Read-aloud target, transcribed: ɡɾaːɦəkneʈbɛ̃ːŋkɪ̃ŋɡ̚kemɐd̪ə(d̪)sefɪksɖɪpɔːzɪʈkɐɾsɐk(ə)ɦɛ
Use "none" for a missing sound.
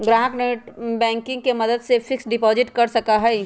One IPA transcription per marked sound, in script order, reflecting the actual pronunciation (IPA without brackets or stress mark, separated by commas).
d̪, a